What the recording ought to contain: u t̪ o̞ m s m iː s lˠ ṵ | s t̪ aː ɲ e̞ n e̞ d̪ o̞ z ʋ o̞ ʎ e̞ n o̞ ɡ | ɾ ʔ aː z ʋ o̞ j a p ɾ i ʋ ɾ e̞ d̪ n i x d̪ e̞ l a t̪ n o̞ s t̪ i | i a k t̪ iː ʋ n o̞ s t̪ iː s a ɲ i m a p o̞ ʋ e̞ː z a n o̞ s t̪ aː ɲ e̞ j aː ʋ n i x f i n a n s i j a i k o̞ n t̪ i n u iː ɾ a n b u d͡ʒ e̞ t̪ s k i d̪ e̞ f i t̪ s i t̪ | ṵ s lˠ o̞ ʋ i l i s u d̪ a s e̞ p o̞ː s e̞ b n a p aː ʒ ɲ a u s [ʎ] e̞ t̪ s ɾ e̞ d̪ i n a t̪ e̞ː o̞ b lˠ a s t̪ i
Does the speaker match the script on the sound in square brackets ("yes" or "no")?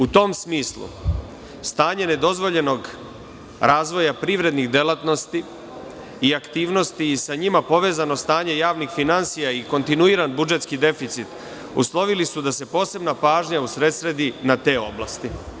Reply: no